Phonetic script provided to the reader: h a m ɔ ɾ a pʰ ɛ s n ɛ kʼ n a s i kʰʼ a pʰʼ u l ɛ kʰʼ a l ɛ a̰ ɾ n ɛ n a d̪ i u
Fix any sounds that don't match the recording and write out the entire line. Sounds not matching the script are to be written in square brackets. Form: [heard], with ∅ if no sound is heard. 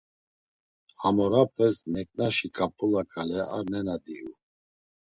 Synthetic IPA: h a m ɔ ɾ a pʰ ɛ s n ɛ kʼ n a [ʃ] i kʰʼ a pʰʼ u l [a] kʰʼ a l ɛ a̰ ɾ n ɛ n a d̪ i u